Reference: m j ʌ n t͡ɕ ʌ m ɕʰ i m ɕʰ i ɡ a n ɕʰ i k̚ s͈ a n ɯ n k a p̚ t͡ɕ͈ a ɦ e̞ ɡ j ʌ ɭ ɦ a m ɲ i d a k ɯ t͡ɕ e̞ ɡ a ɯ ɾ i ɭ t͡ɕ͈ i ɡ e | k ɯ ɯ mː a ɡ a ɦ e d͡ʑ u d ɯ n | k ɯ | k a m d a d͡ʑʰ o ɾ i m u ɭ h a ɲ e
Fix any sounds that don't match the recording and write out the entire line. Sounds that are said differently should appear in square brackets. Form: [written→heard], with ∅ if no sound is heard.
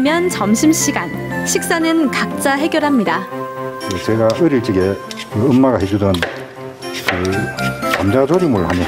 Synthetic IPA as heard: m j ʌ n t͡ɕ ʌ m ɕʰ i m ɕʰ i ɡ a n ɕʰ i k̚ s͈ a n ɯ n k a [p̚→k̚] t͡ɕ͈ a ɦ e̞ ɡ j ʌ [ɭ→ɾ] ɦ a m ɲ i d a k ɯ t͡ɕ e̞ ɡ a ɯ ɾ i ɭ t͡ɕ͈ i ɡ e | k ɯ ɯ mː a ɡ a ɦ e d͡ʑ u d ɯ n | k ɯ | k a m [d→d͡ʑ] a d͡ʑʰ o ɾ i m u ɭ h a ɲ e